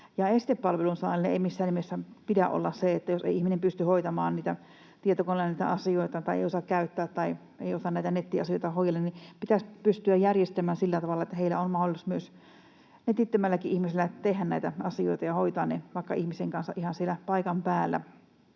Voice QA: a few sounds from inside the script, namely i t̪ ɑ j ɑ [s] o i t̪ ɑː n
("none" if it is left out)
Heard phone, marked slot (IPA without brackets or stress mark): h